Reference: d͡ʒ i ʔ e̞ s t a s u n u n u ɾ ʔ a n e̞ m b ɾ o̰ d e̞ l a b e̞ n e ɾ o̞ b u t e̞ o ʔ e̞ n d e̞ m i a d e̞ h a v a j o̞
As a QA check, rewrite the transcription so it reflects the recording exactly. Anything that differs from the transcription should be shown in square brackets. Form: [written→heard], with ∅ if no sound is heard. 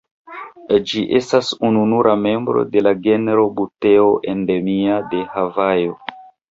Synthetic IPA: d͡ʒ i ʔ e̞ s t a s u n u n u ɾ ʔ a [n→m] e̞ m b ɾ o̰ d e̞ l a [b→ɡ] e̞ n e ɾ o̞ b u t e̞ o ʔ e̞ n d e̞ m i a d e̞ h a v a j o̞